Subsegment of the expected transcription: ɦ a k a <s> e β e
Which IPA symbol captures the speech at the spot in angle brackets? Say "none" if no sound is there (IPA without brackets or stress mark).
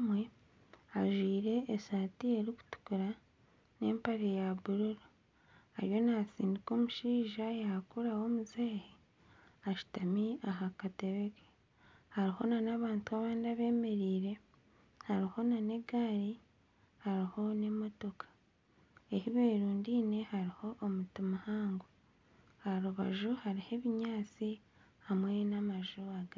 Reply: t